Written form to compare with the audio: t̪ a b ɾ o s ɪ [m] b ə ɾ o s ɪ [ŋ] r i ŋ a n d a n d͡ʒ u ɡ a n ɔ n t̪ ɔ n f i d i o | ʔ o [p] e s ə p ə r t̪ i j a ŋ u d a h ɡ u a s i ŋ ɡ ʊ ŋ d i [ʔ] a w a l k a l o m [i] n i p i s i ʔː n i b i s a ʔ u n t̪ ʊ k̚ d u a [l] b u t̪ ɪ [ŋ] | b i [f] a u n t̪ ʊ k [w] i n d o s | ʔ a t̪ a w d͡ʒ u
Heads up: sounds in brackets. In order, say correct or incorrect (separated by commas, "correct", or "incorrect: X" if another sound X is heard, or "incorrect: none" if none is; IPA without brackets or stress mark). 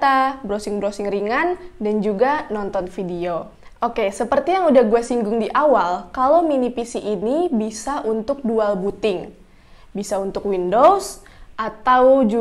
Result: incorrect: ŋ, correct, incorrect: k, correct, correct, correct, correct, incorrect: s, correct